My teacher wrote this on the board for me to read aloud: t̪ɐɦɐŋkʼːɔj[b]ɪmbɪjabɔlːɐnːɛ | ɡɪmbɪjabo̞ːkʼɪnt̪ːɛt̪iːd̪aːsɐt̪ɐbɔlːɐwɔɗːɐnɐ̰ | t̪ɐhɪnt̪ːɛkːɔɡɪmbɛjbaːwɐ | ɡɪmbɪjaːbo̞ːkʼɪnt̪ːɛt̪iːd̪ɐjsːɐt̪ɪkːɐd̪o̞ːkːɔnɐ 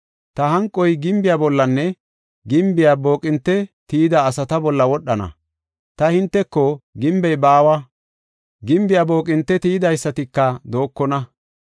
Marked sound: incorrect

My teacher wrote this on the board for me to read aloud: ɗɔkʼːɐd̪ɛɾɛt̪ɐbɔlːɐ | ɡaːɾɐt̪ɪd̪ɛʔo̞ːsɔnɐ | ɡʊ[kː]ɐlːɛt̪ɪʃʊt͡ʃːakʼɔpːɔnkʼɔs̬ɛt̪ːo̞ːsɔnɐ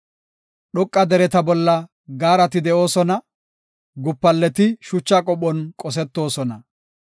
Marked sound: incorrect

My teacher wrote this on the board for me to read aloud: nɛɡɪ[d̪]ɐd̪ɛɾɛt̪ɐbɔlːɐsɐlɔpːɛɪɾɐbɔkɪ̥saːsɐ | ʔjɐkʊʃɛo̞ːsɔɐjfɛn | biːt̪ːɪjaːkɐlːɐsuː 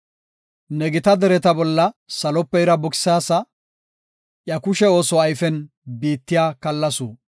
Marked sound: incorrect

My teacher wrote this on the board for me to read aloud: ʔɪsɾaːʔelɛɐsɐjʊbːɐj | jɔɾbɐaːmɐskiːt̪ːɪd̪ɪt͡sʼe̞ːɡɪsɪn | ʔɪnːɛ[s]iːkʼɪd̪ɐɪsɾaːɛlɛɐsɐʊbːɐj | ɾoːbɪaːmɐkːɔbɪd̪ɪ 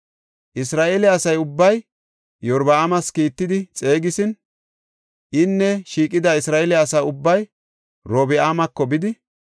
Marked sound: incorrect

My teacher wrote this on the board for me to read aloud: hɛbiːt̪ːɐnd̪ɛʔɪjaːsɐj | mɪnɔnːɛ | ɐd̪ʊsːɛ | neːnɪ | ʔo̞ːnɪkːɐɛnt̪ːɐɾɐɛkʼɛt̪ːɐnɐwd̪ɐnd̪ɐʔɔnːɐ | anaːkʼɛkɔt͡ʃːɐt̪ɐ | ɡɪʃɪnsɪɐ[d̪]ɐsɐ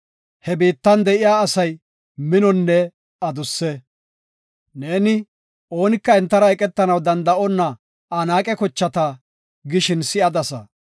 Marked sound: correct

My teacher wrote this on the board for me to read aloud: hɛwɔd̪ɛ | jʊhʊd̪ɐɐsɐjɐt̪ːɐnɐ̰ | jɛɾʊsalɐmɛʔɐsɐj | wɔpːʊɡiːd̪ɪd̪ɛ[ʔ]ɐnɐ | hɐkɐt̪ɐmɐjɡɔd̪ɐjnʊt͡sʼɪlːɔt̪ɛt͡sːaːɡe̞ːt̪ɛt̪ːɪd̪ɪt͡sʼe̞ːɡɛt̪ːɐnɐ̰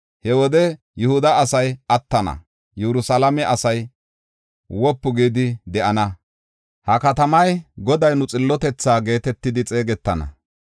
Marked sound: correct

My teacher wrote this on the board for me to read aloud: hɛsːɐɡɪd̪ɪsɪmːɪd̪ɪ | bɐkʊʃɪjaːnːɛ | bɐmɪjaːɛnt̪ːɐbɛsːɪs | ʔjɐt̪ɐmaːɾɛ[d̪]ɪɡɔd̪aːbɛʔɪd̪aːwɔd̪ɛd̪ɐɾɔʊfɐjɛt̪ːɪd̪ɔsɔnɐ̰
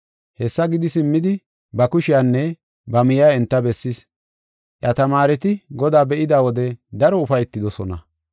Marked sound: incorrect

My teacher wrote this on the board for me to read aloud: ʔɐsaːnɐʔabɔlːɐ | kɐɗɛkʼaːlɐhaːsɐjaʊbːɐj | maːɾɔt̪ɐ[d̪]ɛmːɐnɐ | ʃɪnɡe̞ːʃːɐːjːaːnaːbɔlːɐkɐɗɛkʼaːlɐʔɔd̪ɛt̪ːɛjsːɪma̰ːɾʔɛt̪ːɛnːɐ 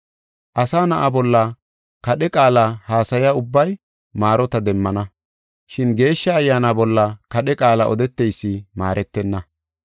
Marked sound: correct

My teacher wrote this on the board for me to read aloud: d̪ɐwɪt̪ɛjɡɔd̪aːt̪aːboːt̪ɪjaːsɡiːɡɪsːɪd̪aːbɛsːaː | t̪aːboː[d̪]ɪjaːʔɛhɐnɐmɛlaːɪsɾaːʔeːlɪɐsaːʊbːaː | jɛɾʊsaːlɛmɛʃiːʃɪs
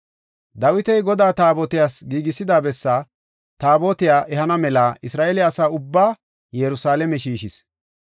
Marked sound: incorrect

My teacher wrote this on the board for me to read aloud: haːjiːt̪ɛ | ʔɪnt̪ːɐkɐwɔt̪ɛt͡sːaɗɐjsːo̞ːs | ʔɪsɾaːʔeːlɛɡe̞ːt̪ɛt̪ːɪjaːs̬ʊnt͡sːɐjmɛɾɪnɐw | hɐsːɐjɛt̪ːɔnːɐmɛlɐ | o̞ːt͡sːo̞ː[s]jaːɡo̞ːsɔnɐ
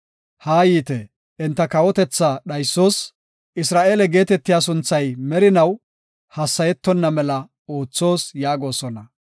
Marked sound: correct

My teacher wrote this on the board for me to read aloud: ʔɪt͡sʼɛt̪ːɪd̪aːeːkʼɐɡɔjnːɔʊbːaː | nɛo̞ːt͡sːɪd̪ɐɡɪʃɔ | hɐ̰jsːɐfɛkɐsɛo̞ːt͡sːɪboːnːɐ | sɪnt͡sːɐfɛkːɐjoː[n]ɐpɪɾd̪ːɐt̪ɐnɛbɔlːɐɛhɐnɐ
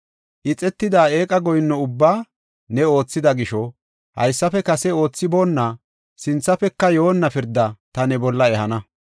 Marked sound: incorrect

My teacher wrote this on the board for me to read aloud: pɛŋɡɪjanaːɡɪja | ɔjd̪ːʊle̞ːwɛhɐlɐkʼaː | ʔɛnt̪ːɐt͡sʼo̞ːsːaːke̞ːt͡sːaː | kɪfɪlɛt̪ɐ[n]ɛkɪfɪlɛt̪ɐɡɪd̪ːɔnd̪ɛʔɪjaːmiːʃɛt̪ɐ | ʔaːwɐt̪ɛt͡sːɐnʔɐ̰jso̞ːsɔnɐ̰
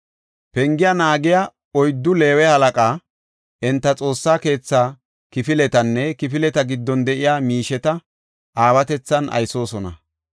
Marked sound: incorrect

